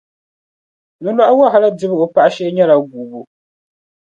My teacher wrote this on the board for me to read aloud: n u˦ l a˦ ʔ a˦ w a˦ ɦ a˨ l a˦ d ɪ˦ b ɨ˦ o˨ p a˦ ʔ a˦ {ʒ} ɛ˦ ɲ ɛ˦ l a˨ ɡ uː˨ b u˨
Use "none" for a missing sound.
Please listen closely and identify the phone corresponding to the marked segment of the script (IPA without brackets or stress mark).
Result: ʃ